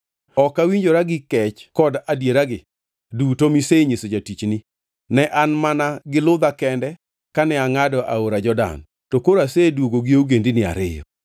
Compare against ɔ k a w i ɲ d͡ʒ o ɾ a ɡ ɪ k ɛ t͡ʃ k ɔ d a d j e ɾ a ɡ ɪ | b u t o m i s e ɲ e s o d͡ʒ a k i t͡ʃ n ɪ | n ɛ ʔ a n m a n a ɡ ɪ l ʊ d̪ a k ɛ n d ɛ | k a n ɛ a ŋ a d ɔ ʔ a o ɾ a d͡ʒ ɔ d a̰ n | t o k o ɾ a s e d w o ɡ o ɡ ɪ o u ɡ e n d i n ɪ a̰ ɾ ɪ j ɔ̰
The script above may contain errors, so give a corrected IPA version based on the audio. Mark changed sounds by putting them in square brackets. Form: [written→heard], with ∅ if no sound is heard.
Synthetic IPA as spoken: ɔ k a w i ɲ d͡ʒ o ɾ a ɡ ɪ k ɛ t͡ʃ k ɔ d a d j e ɾ a ɡ ɪ | [b→d] u t o m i s e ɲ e s o d͡ʒ a [k→t] i t͡ʃ n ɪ | n ɛ ʔ a n m a n a ɡ ɪ l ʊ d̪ a k ɛ n d ɛ | k a n ɛ a ŋ a d ɔ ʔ a o ɾ a d͡ʒ ɔ d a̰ n | t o k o ɾ a s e d w o ɡ o ɡ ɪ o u ɡ e n d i n ɪ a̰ ɾ ɪ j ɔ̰